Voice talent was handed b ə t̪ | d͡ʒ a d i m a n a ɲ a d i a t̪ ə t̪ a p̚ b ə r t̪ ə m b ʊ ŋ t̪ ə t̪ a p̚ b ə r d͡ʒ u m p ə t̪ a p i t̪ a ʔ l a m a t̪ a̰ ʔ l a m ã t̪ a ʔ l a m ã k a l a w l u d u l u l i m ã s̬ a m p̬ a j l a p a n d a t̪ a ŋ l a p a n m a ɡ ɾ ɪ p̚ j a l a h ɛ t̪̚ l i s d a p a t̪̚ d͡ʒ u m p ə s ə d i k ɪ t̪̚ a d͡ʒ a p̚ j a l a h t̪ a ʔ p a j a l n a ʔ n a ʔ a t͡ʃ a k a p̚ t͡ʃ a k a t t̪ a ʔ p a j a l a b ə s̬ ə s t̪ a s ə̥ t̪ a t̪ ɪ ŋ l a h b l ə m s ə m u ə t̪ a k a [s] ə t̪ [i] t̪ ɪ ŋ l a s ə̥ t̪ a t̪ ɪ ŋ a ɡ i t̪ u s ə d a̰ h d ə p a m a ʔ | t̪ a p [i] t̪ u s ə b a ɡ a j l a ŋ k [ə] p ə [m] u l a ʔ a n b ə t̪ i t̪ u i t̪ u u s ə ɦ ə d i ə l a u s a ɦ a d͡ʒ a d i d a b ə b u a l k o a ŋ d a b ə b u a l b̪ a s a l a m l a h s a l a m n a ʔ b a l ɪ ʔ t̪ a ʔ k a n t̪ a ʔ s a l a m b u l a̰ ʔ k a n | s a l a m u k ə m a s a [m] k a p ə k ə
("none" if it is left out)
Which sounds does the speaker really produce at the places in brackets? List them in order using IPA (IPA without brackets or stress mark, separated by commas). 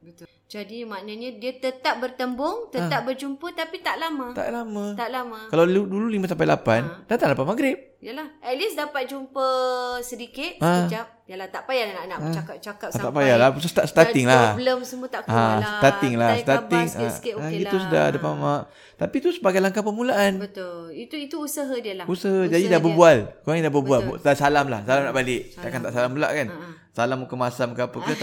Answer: s, a, i, a, m, m